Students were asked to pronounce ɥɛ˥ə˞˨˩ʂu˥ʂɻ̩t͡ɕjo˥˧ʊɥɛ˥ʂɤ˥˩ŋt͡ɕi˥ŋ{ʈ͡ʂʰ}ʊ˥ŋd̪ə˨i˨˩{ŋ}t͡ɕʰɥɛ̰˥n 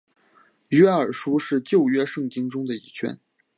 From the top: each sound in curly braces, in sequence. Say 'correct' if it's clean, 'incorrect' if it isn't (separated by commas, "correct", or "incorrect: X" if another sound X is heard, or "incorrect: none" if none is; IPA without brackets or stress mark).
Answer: incorrect: ʈ͡ʂ, incorrect: none